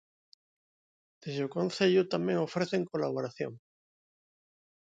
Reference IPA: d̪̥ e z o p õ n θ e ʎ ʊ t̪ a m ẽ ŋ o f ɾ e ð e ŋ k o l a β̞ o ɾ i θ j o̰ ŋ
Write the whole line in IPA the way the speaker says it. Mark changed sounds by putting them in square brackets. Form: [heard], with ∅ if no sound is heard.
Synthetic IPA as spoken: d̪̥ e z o [k] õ n θ e ʎ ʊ t̪ a m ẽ ŋ o f ɾ e [θ] e ŋ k o l a β̞ o ɾ [a] θ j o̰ ŋ